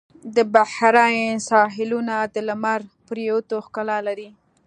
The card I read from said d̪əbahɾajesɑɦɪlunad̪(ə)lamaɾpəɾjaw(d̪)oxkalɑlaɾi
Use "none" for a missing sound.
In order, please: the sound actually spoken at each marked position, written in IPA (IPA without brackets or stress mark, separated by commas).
ə, t̪